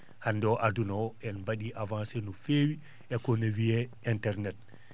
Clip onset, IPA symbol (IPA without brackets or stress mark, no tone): h